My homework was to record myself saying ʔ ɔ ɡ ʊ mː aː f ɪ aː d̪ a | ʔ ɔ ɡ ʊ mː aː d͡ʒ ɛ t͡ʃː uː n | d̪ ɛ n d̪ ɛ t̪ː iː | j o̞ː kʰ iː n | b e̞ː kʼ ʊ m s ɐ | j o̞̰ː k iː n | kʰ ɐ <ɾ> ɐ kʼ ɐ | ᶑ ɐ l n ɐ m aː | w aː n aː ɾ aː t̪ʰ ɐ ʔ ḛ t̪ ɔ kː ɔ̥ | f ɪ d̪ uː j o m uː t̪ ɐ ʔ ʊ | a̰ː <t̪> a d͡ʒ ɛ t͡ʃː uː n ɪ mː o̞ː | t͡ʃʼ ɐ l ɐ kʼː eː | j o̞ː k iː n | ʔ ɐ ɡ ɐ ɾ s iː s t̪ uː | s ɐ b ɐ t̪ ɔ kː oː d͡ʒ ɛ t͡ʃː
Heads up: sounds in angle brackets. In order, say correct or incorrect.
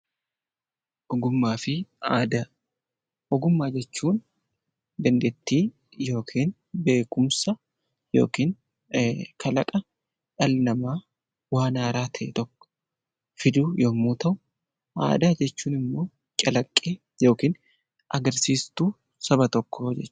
incorrect: l, incorrect: d̪

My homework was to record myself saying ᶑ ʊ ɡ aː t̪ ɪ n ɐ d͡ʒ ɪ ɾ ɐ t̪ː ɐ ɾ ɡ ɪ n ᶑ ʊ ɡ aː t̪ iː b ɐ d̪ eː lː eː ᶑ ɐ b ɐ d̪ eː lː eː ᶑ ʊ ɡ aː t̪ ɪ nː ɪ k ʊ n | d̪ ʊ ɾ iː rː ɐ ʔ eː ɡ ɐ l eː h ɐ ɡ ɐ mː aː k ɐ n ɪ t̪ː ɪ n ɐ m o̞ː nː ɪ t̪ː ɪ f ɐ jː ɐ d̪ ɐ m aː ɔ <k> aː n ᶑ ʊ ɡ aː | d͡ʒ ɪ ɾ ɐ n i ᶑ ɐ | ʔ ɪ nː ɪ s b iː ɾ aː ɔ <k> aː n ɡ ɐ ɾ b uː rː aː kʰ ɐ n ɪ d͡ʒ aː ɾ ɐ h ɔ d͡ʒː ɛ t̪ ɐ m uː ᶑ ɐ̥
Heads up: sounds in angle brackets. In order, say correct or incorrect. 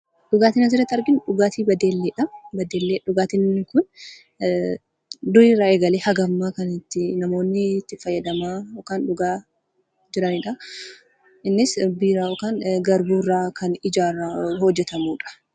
correct, correct

